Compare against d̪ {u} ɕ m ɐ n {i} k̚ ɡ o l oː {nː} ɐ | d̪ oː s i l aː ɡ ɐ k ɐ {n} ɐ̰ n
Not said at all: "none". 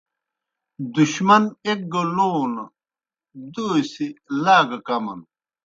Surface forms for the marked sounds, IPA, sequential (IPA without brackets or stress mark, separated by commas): u, e, n, m